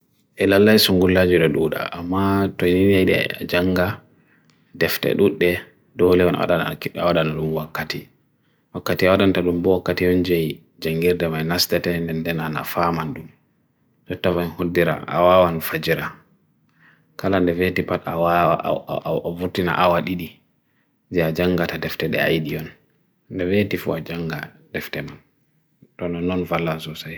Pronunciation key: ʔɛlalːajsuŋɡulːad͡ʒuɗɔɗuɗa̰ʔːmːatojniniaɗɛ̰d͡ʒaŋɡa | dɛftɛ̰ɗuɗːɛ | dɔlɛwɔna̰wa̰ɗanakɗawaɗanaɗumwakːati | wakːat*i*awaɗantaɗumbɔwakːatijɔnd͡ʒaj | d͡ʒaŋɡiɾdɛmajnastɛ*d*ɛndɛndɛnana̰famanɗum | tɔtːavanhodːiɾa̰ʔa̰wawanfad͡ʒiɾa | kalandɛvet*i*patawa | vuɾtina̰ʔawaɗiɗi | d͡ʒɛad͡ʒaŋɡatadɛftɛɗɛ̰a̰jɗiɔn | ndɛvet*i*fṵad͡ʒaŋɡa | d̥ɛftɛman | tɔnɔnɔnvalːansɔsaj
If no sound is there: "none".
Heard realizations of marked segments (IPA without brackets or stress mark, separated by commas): i, t, i, i